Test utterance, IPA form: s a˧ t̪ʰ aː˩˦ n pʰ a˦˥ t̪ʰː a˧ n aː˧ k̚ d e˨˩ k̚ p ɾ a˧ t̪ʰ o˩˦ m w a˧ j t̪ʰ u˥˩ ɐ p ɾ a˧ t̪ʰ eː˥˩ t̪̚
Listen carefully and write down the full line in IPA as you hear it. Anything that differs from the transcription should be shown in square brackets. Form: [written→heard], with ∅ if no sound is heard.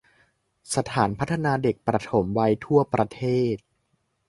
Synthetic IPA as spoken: s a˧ t̪ʰ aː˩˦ n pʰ a˦˥ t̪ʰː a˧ n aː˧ [k̚→∅] d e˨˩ k̚ p ɾ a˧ t̪ʰ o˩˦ m w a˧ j t̪ʰ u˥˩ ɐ p ɾ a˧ t̪ʰ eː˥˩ t̪̚